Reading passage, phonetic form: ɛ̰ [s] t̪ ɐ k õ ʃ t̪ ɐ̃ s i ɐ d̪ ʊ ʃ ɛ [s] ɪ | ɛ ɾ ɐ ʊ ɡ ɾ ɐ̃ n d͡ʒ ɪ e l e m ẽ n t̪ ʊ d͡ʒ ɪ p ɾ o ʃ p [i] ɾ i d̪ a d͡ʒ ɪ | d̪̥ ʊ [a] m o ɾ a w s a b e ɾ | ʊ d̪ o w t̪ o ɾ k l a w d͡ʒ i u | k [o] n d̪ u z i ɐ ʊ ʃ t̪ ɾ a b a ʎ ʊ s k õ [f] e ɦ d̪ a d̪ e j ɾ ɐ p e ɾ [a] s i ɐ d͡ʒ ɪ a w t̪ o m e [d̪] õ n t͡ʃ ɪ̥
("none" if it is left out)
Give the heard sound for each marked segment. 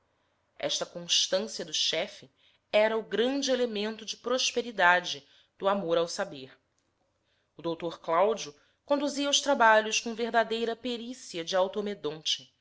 ʃ, f, e, a, õ, v, i, d̪

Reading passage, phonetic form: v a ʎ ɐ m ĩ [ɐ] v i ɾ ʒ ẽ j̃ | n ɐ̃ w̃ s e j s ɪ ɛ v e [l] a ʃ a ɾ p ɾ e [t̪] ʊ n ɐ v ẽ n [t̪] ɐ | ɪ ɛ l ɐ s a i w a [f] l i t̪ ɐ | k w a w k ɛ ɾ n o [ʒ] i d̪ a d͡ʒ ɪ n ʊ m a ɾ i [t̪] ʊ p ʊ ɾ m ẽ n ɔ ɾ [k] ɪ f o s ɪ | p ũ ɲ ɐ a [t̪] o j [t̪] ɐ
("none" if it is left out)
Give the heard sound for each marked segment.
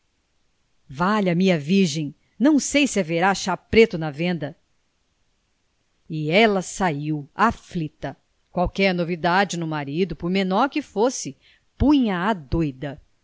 ɐ, ɾ, t̪, d̪, f, v, d̪, k, d̪, d̪

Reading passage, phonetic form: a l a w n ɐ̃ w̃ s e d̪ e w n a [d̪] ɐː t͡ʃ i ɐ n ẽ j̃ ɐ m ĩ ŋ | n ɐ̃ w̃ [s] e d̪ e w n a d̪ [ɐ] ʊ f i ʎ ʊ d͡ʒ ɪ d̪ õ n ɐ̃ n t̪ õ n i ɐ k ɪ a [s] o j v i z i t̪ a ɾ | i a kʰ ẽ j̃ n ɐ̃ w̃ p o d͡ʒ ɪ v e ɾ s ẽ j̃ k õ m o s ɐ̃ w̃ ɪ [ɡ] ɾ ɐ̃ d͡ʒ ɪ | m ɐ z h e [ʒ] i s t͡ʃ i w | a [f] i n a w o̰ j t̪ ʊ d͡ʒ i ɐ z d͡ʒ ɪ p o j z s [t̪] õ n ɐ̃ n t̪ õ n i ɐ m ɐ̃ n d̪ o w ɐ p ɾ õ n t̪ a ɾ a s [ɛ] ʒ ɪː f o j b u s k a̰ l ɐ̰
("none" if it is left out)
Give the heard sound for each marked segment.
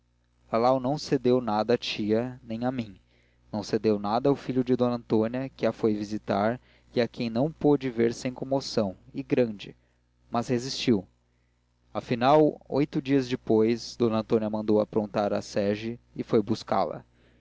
d̪, s, ɐ, f, ɡ, z, f, d̪, ɛ

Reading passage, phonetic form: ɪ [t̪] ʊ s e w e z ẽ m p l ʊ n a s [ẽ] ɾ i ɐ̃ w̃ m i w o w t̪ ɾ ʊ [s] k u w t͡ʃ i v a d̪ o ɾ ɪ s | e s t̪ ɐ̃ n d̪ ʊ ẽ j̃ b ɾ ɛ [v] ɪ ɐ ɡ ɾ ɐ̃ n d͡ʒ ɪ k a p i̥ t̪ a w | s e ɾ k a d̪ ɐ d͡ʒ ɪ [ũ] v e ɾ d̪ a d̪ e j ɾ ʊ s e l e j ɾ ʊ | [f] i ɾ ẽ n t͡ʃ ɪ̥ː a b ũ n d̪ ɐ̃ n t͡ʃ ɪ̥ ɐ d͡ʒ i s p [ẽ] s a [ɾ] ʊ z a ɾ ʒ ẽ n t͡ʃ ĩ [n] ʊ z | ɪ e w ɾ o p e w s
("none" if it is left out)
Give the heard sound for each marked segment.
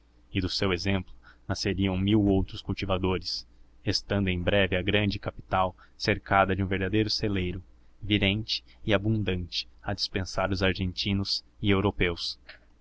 d̪, e, s, v, ũ, v, ẽ, ɾ, n

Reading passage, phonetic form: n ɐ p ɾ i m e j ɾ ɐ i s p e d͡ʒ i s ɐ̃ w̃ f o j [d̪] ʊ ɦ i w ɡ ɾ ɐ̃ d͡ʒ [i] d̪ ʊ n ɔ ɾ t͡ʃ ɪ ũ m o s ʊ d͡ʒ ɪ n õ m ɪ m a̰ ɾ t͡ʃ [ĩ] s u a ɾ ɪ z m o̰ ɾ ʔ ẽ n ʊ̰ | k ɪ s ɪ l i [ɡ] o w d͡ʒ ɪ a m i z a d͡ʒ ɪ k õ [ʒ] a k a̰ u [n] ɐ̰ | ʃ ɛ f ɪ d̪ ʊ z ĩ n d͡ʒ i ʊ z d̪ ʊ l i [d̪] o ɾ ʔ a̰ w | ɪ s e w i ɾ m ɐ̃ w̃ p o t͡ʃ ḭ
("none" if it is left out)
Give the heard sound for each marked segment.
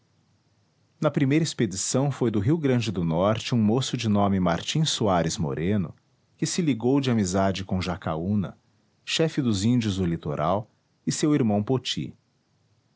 d̪, ɪ, ĩ, ɡ, ʒ, n, t̪

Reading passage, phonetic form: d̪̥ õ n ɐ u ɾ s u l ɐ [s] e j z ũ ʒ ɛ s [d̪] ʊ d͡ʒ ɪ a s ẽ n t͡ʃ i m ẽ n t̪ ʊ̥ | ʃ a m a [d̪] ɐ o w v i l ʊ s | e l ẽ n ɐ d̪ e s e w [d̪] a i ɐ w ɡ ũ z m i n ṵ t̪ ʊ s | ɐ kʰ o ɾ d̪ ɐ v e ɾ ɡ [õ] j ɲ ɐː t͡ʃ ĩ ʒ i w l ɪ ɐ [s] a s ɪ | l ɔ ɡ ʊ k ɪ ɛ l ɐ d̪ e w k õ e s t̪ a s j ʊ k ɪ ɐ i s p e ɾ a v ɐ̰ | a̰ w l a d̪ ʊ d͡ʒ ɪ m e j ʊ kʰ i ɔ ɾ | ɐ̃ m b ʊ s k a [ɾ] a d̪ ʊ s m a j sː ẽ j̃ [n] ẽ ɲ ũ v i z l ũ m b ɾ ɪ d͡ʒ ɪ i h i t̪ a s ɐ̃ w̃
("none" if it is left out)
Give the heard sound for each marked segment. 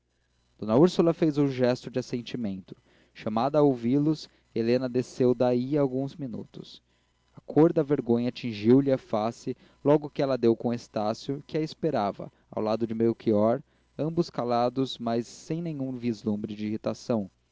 f, t̪, d̪, d̪, õ, f, l, n

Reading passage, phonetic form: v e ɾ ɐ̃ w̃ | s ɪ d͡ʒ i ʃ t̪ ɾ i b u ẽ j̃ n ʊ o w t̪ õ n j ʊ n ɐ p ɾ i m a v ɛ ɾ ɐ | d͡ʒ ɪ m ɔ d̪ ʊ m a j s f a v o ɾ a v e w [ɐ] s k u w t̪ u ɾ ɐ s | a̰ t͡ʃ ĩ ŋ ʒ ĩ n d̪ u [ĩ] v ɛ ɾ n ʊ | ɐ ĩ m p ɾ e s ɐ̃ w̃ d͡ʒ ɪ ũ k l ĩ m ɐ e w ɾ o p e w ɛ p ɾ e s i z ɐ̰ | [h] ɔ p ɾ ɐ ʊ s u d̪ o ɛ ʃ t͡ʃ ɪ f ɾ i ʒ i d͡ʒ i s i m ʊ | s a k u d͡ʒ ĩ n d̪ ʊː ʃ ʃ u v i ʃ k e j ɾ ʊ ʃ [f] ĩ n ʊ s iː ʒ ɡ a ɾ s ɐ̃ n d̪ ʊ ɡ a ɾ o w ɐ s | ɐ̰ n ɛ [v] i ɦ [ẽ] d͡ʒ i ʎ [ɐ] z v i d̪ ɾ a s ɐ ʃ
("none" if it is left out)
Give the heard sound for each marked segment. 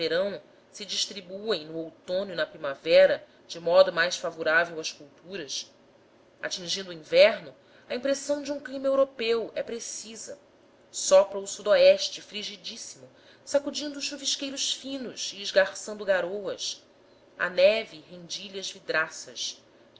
ɐ, ĩ, s, f, v, ẽ, ɐ

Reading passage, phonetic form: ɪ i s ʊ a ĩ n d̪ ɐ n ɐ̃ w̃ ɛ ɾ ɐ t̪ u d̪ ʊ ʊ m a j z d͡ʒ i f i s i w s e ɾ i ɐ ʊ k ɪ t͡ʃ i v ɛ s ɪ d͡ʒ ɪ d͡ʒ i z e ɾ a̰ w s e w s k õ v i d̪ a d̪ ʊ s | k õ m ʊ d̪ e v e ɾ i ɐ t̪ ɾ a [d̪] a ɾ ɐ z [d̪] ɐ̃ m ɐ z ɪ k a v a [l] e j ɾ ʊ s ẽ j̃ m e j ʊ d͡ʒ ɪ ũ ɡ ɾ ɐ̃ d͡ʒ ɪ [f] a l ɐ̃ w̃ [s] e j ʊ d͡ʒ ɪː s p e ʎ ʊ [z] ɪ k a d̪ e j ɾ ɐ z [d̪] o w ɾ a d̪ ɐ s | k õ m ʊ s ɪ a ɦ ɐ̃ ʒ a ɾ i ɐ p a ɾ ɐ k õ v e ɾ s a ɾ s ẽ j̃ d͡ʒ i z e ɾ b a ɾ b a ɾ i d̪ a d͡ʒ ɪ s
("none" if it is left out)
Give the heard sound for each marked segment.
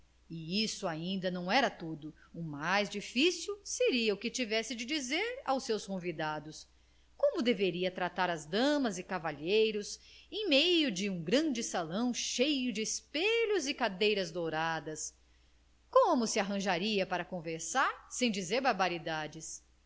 t̪, d̪, ʎ, s, ʃ, z, d̪

